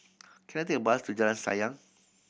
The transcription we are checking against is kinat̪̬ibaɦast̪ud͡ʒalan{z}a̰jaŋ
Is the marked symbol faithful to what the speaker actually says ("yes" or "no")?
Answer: no